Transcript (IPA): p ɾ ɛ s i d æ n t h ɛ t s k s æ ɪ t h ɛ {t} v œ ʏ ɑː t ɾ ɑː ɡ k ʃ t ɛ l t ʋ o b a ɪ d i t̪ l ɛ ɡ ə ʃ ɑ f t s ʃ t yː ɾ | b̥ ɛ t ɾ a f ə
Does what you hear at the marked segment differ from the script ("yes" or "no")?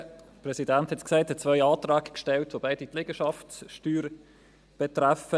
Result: yes